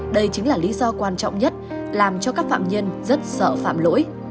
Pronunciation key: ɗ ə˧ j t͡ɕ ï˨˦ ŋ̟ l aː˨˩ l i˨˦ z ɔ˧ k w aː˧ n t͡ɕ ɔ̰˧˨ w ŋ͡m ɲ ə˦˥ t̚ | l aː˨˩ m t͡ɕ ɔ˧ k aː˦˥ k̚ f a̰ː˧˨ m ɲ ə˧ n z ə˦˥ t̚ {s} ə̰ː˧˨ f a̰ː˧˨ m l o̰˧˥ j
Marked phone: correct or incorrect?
correct